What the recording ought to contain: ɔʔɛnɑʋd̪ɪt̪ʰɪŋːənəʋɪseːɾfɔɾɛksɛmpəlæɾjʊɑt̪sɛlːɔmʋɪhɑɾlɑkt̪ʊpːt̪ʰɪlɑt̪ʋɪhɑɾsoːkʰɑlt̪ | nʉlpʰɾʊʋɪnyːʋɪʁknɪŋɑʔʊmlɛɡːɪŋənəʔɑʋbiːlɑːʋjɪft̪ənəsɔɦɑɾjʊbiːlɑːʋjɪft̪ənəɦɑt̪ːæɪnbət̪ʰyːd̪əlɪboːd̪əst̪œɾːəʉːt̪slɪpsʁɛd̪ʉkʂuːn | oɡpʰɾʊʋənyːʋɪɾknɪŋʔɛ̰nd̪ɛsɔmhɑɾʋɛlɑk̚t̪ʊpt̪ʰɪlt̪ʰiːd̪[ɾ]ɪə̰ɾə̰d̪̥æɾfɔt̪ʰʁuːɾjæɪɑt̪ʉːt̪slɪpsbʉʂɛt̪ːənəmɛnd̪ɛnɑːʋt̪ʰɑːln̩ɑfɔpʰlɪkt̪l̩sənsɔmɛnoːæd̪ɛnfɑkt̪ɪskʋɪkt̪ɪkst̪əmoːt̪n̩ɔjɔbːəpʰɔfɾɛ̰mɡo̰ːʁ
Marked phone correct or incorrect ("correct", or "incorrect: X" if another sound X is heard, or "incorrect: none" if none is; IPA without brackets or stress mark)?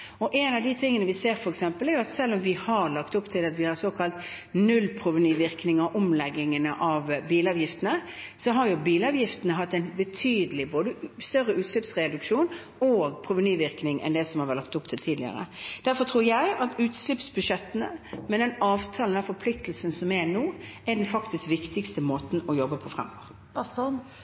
incorrect: l